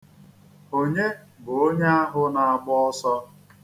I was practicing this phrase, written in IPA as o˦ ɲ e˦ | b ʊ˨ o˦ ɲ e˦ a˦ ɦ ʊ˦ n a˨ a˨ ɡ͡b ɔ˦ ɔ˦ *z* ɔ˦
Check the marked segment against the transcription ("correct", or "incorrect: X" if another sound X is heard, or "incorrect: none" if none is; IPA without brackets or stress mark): incorrect: s